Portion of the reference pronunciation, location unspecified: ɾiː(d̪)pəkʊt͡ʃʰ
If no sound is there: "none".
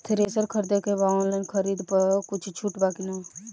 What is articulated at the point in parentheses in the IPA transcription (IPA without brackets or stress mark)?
d̪